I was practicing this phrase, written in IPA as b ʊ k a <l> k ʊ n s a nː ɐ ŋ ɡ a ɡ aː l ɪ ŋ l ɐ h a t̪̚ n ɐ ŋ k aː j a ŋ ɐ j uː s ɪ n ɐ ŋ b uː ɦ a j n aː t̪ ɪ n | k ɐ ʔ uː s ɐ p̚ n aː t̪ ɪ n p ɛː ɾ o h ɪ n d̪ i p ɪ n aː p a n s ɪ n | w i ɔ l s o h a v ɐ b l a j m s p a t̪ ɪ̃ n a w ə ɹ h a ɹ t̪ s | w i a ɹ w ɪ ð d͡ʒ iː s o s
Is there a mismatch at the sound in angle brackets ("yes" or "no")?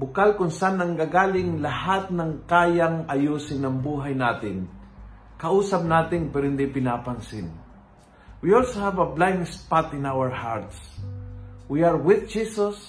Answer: no